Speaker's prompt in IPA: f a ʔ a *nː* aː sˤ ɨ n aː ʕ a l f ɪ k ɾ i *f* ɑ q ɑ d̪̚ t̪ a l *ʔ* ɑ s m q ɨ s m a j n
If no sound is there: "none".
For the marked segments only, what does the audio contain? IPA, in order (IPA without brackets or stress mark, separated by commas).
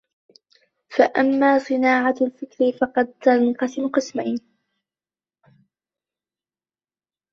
mː, f, q